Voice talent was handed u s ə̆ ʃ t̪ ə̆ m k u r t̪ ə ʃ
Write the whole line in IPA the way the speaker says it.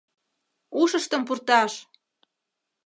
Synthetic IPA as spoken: u ʃ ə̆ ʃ t̪ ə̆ m p u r t̪ ɑ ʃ